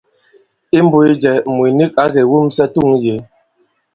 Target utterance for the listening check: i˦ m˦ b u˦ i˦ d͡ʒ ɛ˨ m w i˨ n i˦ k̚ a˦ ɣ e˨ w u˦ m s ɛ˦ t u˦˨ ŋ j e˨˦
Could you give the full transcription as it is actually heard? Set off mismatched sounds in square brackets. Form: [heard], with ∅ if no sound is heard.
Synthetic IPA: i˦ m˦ b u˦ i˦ d͡ʒ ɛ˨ m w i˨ n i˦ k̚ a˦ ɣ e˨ w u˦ m s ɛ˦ t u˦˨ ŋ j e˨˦